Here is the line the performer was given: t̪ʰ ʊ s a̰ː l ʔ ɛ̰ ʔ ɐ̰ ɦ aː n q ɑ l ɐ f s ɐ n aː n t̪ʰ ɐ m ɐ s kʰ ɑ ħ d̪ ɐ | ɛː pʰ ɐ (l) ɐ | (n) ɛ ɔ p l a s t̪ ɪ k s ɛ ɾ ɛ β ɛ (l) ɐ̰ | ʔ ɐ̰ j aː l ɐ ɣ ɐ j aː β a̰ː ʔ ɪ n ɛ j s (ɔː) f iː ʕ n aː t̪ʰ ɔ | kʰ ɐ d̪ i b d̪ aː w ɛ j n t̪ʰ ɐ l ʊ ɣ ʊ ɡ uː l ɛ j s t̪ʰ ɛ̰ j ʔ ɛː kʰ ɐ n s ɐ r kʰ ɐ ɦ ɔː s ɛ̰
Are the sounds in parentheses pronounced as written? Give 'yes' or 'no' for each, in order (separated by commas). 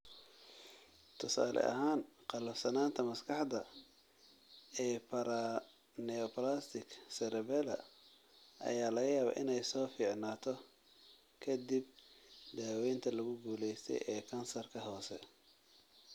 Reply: no, yes, yes, yes